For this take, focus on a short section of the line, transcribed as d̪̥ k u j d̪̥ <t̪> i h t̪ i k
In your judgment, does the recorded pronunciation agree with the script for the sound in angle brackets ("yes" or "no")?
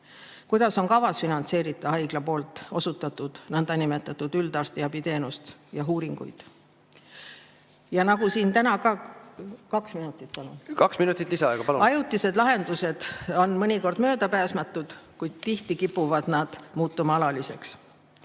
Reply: yes